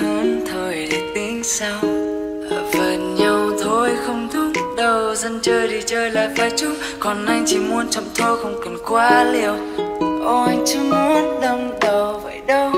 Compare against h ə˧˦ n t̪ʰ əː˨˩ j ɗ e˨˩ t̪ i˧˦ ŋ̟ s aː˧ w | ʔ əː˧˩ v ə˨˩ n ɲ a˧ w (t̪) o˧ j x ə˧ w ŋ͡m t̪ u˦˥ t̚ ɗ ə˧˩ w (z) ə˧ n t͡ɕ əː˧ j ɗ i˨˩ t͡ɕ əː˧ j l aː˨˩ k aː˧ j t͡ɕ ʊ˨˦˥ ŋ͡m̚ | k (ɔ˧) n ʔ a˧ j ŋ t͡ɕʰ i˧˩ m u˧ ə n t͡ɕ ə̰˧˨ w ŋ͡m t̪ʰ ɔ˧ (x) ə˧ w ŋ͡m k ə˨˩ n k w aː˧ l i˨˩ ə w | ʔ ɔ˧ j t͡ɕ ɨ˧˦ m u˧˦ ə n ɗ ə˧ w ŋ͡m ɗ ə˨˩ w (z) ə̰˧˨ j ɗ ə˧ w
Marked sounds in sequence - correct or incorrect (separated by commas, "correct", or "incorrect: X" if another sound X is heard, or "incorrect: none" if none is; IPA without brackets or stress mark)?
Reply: incorrect: t̪ʰ, correct, incorrect: ɔ˨˩, correct, incorrect: v